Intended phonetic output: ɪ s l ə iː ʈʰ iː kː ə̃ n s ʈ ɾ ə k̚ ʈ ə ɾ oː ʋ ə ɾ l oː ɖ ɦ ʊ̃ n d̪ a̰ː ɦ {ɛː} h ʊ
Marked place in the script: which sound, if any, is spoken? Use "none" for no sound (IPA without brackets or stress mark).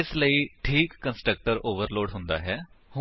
ɛː